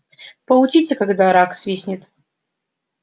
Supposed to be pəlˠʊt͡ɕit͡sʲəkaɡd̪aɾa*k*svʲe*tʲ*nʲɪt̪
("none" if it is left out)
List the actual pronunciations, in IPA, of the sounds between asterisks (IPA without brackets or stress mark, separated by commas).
k, sʲ